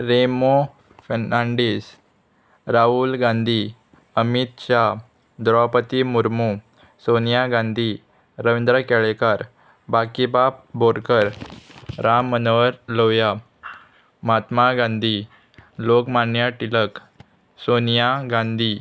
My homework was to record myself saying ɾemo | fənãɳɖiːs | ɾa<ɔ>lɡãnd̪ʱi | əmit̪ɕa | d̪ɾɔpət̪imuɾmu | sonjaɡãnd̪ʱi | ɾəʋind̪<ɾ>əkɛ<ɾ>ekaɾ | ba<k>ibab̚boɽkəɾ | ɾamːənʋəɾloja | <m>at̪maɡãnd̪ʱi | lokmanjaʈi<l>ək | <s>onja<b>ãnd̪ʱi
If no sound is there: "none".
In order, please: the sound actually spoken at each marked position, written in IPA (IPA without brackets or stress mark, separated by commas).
u, ɾ, ɭ, k, m, l, s, ɡ